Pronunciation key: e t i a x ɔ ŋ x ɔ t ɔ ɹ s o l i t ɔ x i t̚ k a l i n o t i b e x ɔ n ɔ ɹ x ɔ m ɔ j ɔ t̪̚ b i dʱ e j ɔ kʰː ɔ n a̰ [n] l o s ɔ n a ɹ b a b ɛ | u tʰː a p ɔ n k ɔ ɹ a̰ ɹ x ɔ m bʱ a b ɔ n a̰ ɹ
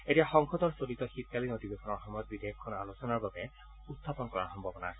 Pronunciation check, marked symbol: incorrect: none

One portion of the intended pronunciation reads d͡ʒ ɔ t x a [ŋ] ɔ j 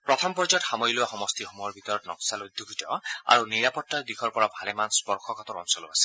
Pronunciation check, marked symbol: incorrect: m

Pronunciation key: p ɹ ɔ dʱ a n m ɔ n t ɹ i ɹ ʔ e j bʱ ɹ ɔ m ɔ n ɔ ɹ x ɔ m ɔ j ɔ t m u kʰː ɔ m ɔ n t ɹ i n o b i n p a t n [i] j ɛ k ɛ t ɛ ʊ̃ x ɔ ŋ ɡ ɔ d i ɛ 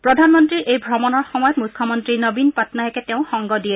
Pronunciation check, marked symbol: incorrect: a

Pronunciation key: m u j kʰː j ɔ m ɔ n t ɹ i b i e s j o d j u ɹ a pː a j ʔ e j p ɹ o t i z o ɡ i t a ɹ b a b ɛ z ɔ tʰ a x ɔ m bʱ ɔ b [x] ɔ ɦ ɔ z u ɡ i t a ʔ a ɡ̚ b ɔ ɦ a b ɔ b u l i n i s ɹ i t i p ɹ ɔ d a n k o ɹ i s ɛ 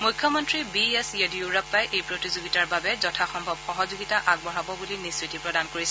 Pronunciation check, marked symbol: correct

